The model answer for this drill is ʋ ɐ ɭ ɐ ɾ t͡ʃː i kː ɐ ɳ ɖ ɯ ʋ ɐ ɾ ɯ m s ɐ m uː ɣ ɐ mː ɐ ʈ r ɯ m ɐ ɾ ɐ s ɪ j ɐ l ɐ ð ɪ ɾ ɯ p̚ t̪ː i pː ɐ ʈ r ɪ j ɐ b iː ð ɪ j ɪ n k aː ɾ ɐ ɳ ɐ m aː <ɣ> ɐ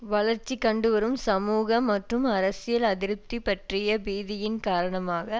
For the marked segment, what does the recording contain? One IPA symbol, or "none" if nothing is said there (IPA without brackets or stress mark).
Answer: ɣ